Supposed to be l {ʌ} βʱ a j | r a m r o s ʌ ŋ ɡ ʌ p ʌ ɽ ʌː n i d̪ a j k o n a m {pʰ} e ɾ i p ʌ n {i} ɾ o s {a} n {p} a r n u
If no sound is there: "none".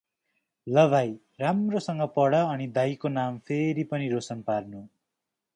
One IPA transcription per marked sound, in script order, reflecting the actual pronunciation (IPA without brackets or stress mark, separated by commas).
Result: ʌ, pʰ, i, ʌ, p